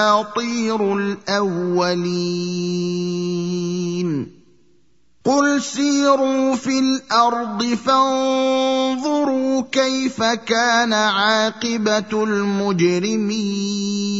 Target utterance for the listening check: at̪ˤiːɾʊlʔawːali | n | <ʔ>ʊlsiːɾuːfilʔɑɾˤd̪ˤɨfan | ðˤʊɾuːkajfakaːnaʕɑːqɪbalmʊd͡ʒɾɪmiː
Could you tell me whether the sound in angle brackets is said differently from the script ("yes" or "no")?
yes